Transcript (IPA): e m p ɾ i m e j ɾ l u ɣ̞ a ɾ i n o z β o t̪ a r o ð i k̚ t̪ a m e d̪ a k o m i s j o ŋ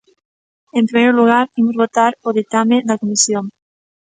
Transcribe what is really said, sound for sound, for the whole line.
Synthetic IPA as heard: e m p ɾ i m e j ɾ l u ɣ̞ a ɾ i m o z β o t̪ a ɾ o ð i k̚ t̪ a m e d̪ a k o m i s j o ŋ